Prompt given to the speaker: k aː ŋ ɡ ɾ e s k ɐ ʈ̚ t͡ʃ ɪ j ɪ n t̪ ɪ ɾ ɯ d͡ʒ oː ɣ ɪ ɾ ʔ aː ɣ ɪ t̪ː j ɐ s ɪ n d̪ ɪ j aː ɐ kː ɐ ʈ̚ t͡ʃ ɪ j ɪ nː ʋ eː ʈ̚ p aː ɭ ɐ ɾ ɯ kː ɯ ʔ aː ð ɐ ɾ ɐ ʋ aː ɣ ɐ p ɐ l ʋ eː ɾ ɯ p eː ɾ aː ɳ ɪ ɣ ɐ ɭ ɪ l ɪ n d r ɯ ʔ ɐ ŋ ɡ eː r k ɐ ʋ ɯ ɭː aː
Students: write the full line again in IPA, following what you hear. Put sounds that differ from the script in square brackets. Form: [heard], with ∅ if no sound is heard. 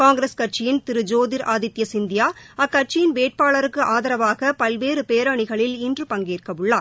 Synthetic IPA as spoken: k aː ŋ ɡ ɾ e s k ɐ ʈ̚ t͡ʃ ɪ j ɪ n t̪ ɪ ɾ ɯ d͡ʒ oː [ð] ɪ ɾ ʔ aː [ð] ɪ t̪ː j ɐ s ɪ n d̪ ɪ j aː ɐ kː ɐ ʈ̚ t͡ʃ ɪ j ɪ [n] ʋ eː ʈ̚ p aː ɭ ɐ ɾ ɯ kː ɯ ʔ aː ð ɐ ɾ ɐ ʋ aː ɣ ɐ p ɐ l ʋ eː ɾ ɯ p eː ɾ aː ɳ ɪ ɣ ɐ ɭ ɪ l ɪ n d r ɯ [p] ɐ ŋ ɡ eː r k ɐ ʋ ɯ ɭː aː